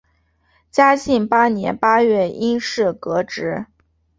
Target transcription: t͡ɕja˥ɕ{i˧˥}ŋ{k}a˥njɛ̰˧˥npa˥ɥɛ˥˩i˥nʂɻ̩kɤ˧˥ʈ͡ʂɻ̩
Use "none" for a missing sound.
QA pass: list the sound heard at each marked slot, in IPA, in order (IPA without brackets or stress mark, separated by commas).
i˥˩, p